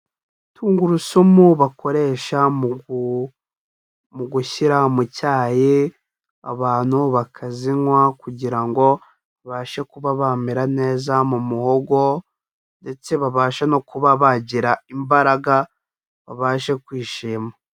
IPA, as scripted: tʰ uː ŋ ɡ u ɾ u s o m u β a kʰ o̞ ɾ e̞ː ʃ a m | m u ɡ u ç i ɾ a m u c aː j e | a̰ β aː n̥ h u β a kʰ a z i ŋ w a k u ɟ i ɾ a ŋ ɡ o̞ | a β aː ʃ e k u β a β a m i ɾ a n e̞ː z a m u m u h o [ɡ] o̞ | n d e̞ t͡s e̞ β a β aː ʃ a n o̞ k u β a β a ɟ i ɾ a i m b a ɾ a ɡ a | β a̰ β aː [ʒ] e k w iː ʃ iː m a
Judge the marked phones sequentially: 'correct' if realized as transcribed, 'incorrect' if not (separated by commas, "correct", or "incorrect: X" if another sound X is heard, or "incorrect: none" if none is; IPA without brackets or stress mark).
correct, incorrect: ʃ